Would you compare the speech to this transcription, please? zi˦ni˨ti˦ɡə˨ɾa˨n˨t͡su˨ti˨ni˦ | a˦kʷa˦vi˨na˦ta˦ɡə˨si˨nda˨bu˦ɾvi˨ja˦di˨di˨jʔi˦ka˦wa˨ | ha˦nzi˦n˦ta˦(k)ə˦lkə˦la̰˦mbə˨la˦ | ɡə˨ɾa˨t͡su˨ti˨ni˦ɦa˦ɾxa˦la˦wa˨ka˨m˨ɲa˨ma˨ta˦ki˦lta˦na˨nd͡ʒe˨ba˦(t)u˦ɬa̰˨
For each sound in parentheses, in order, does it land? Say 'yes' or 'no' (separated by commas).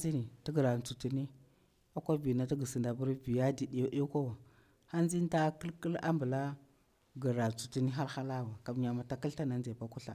yes, no